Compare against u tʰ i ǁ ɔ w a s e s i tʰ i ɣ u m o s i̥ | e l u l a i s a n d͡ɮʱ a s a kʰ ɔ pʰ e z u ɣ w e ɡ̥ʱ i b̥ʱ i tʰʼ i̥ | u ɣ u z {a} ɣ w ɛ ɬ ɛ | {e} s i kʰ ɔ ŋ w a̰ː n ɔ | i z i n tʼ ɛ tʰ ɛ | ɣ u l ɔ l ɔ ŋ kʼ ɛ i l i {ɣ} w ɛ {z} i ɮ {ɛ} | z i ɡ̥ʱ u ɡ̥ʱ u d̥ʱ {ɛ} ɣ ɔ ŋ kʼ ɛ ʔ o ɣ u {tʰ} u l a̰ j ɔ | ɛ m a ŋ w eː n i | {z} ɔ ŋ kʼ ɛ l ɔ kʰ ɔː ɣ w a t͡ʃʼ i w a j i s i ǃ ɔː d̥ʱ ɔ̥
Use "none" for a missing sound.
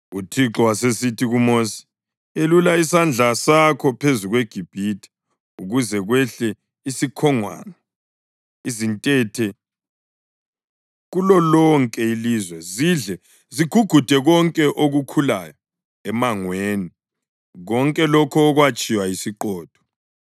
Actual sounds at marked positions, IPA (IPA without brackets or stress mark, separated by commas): ɛ, i, z, z, ɛ, ɛ, kʰ, ɣ